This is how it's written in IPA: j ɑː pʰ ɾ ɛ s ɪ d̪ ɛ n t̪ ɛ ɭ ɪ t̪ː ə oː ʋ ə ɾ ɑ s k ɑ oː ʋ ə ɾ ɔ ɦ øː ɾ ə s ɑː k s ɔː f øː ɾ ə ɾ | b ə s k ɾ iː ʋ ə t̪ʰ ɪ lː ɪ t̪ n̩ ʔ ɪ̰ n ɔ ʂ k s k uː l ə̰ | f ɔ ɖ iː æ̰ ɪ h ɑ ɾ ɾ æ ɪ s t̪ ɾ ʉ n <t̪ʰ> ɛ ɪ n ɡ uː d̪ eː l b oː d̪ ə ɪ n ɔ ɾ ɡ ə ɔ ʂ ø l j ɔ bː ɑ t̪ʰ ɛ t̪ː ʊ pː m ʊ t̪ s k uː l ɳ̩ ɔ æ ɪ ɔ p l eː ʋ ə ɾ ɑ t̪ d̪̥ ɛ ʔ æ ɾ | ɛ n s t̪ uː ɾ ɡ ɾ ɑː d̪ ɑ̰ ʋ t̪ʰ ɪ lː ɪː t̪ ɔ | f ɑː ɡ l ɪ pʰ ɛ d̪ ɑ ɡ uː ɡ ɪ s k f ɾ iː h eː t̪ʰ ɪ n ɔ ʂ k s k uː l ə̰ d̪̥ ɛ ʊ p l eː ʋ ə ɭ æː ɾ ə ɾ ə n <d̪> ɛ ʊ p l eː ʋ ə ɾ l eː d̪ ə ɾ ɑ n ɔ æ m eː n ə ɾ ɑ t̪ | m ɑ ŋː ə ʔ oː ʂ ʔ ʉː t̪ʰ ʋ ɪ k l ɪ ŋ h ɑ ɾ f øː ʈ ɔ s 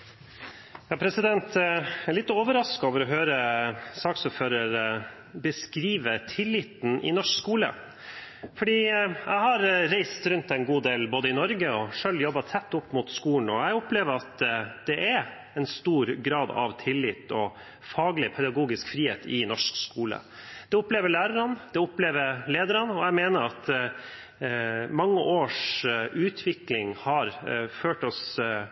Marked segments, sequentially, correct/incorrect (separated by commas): incorrect, correct